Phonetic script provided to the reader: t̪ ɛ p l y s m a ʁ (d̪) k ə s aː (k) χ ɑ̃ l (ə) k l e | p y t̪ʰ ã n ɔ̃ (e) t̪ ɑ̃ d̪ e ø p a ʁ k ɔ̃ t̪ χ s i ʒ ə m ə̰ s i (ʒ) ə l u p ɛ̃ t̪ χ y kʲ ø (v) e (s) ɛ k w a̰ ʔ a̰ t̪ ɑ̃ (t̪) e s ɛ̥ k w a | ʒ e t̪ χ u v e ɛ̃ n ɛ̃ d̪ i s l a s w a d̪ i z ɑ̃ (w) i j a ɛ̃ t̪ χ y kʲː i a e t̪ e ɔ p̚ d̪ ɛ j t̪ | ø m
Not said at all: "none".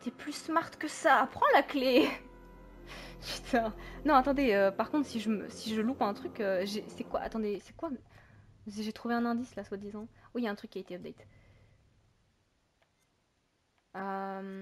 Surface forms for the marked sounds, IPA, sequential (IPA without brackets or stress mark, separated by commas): t̪, p, a, a, ʒ, ʒ, s, d̪, w